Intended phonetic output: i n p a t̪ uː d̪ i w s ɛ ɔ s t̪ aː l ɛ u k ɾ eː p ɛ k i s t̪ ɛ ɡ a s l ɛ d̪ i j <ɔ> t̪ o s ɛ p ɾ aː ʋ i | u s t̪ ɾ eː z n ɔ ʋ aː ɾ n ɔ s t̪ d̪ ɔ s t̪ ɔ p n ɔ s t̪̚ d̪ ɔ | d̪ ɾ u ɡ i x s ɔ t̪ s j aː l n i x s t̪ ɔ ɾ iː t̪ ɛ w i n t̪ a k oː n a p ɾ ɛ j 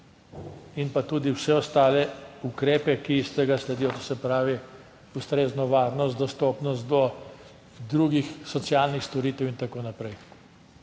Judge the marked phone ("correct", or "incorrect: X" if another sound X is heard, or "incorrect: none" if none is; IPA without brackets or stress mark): correct